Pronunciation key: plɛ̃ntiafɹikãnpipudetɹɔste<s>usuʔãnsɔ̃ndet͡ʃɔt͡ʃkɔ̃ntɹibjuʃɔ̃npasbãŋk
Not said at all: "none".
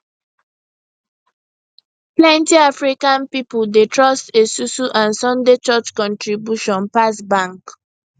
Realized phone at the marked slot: s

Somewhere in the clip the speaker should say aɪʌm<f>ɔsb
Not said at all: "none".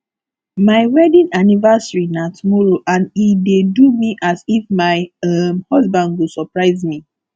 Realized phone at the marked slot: h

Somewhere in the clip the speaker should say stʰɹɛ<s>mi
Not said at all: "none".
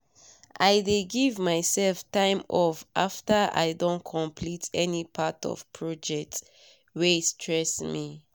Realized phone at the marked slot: s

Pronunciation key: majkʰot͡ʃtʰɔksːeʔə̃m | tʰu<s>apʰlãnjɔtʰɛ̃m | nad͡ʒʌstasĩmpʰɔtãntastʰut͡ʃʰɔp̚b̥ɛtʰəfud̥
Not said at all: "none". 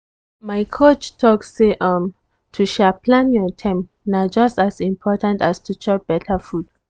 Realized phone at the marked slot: ʃ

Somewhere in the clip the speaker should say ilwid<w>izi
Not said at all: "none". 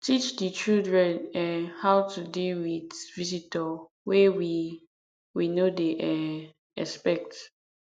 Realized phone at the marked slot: v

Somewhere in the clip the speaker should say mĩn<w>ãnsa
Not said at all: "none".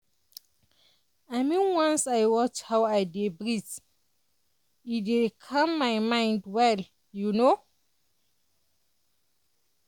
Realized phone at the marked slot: w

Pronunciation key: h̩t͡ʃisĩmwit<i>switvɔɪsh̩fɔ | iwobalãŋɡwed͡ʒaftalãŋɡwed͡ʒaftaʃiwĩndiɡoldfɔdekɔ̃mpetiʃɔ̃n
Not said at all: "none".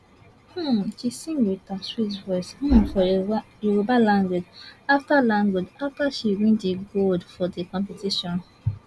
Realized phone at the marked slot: a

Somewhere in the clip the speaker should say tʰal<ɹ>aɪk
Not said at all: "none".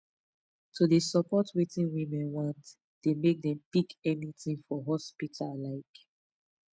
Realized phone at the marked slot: l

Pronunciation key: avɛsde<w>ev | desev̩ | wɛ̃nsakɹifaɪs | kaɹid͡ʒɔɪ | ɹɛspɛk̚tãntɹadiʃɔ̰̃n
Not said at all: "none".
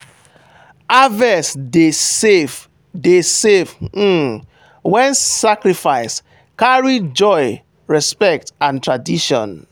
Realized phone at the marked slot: none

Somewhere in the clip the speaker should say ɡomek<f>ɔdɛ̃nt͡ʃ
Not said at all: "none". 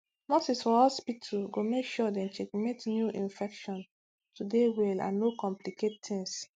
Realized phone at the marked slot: ʃ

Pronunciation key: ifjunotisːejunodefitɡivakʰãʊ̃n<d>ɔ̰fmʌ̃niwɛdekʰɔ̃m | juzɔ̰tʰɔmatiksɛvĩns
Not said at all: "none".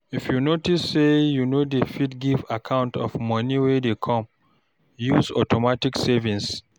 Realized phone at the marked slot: t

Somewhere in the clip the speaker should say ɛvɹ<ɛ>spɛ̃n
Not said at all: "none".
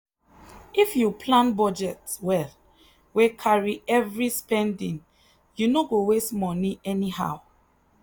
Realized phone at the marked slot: i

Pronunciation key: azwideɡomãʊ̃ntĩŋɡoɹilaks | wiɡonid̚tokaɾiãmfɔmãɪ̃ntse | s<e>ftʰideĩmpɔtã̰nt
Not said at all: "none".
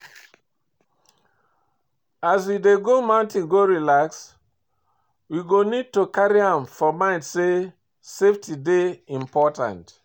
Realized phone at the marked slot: e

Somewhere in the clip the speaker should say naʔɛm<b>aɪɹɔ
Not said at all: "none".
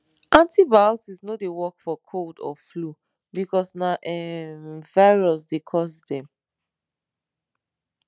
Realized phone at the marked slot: v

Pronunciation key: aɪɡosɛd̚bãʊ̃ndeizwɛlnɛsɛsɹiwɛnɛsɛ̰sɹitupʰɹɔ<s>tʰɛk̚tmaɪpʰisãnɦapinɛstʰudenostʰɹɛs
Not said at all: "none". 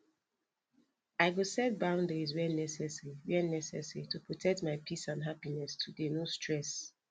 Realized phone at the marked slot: none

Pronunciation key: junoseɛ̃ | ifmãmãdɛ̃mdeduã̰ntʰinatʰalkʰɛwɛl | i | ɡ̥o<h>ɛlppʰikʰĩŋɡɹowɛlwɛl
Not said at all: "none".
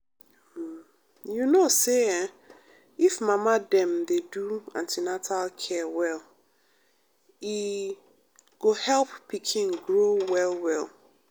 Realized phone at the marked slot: h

